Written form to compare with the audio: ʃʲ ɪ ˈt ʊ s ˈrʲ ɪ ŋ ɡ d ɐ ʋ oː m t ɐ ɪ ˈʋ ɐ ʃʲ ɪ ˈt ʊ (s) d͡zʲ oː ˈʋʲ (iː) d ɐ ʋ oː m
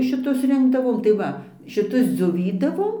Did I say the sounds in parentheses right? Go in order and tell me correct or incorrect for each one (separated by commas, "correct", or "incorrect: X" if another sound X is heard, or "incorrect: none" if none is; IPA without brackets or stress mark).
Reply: correct, correct